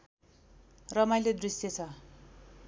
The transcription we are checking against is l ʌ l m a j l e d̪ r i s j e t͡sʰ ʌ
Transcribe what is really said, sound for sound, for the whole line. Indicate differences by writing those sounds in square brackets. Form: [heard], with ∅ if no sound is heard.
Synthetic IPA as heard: [r] ʌ [∅] m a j l e d̪ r i s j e t͡sʰ ʌ

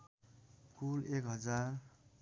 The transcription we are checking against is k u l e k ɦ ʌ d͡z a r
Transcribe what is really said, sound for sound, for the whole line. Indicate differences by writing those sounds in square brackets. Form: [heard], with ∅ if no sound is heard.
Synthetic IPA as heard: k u l e k ɦ ʌ d͡z a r

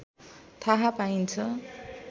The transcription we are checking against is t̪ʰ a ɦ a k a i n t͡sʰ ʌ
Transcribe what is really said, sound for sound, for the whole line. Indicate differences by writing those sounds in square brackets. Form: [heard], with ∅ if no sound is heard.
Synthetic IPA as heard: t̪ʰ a ɦ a [p] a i n t͡sʰ ʌ

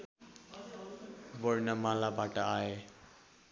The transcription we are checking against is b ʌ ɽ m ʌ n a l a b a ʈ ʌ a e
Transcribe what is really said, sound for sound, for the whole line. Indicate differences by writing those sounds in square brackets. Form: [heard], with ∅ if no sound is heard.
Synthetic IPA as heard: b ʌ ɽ [n] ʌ [m] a l a b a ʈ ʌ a e

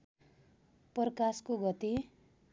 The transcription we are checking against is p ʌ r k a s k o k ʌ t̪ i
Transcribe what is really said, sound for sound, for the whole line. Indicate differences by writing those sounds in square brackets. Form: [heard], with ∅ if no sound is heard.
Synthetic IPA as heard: p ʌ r k a s k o [ɡ] ʌ t̪ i

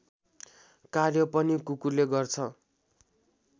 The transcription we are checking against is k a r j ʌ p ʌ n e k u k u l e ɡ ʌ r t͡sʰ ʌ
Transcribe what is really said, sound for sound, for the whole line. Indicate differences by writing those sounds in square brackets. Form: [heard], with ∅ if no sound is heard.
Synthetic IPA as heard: k a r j ʌ p ʌ n [i] k u k u l e ɡ ʌ r t͡sʰ ʌ

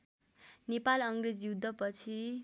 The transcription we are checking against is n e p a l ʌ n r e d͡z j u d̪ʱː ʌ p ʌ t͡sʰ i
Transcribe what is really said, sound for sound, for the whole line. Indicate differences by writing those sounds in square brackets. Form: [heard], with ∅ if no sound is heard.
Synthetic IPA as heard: n e p a l ʌ [ŋ] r e d͡z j u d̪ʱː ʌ p ʌ t͡sʰ i

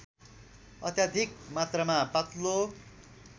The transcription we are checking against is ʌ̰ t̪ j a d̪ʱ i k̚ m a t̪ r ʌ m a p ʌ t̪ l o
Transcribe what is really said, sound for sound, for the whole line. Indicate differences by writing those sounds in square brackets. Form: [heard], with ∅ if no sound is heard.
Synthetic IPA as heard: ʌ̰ t̪ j a d̪ʱ i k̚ m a t̪ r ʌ m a p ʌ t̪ l o

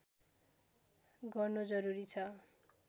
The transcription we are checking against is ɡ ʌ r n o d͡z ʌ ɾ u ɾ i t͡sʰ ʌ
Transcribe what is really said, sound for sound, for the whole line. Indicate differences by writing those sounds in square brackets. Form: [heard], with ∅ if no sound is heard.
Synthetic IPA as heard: ɡ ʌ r n o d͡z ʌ ɾ u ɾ i t͡sʰ ʌ

